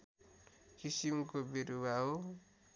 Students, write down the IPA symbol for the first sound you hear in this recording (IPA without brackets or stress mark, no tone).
k